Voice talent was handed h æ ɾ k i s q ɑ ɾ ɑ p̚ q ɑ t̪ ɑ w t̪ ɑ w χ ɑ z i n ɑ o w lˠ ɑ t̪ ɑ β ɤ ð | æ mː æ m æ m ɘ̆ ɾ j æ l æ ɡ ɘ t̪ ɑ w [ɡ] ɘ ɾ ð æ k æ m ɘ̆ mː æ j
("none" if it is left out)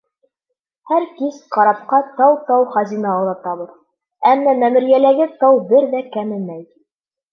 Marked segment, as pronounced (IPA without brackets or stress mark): b